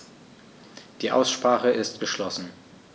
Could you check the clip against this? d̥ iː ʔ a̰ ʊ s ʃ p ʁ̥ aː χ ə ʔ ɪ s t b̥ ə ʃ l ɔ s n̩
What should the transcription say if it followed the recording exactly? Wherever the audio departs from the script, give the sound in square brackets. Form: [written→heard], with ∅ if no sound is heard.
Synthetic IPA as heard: d̥ iː ʔ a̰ ʊ s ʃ p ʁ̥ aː χ ə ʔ ɪ s t [b̥→ɡ̥] ə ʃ l ɔ s n̩

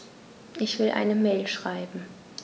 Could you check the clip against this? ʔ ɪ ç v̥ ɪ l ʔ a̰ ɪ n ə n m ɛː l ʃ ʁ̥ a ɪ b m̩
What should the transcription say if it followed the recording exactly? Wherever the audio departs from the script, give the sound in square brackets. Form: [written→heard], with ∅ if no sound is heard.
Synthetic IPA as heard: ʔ ɪ ç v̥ ɪ l ʔ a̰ ɪ n ə [n→∅] m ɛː l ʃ ʁ̥ a ɪ b m̩

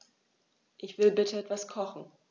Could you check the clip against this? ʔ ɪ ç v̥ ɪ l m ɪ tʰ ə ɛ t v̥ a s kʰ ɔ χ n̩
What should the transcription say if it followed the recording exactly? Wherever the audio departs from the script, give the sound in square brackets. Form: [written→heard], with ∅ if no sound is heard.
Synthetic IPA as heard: ʔ ɪ ç v̥ ɪ l [m→b] ɪ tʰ ə ɛ t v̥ a s kʰ ɔ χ n̩

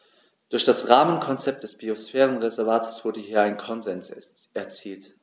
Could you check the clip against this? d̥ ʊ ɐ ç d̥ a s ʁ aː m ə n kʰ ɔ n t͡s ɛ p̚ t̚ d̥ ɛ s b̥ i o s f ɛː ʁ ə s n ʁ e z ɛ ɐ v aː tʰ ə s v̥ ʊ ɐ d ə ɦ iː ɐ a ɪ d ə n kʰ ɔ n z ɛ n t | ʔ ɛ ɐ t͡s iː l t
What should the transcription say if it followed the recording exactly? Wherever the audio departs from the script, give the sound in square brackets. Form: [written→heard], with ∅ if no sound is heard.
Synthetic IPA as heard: d̥ ʊ ɐ ç d̥ a s ʁ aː m ə n kʰ ɔ n t͡s ɛ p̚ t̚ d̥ ɛ s b̥ i o s f ɛː ʁ ə [s→∅] n ʁ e z ɛ ɐ v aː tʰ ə s v̥ ʊ ɐ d ə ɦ iː ɐ a ɪ [d→n] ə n kʰ ɔ n z ɛ n [t→s] | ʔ ɛ ɐ t͡s iː l t

